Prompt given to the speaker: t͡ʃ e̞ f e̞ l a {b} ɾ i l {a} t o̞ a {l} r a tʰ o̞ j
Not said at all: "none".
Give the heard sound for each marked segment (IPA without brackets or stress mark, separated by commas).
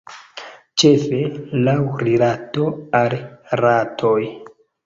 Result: w, a, l